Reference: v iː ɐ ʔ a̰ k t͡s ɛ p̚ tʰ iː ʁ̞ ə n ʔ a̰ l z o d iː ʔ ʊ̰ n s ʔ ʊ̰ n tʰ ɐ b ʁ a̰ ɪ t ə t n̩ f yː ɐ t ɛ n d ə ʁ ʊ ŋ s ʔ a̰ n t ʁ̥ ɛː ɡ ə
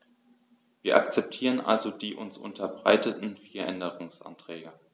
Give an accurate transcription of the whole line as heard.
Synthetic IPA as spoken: v iː ɐ ʔ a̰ k t͡s ɛ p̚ tʰ iː ʁ̞ ə n ʔ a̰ l z o d iː ʔ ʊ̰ n s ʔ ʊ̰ n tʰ ɐ b ʁ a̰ ɪ t ə t n̩ f iː ɐ ʔ ɛ n d ə ʁ ʊ ŋ s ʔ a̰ n t ʁ̥ ɛː ɡ ə